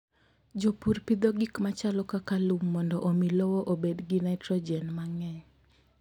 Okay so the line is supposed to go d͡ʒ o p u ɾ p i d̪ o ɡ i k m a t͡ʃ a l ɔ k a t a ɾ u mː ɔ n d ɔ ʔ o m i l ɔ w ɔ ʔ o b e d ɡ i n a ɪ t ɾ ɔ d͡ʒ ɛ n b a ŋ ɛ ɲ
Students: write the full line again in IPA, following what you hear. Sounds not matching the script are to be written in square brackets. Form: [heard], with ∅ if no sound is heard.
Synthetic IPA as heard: d͡ʒ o p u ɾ p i d̪ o ɡ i k m a t͡ʃ a l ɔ k a [k] a [l] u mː ɔ n d ɔ ʔ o m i l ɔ w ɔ ʔ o b e d ɡ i n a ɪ t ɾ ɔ d͡ʒ ɛ n [m] a ŋ ɛ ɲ